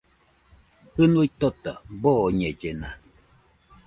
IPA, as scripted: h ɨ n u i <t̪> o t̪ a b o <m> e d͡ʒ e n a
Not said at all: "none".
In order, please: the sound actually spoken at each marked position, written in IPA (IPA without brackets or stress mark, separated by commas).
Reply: t̪, ɲ